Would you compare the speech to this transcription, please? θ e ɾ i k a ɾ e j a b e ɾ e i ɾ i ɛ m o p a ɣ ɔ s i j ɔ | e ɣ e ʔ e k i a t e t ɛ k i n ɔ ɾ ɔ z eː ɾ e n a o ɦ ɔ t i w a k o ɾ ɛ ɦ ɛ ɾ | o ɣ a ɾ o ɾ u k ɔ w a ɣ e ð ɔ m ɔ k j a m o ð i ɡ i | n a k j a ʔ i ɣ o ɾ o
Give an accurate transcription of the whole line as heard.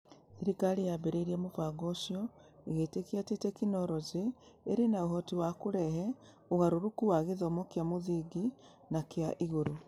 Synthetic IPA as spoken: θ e ɾ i k a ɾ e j a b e ɾ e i ɾ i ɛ m o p a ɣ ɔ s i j ɔ | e ɣ e t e k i a t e t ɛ k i n ɔ ɾ ɔ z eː ɾ e n a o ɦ ɔ t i w a k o ɾ ɛ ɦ ɛ | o ɣ a ɾ o ɾ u k u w a ɣ e ð ɔ m ɔ k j a m o ð i ɡ i | n a k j a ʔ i ɣ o ɾ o